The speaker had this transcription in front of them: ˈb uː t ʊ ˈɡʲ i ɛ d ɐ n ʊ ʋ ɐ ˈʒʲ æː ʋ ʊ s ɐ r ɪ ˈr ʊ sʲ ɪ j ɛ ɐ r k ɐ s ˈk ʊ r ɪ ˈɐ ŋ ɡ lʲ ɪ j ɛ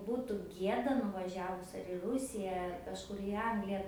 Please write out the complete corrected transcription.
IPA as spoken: ˈb uː t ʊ ˈɡʲ i ɛ d ɐ n ʊ ʋ ɐ ˈʒʲ æː ʋ ʊ s ɐ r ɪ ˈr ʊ sʲ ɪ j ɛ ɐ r k ɐ ʃ ˈk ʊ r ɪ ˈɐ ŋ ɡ lʲ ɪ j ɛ